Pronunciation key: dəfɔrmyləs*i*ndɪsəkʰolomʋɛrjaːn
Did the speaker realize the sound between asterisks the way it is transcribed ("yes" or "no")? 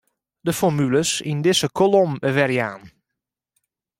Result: yes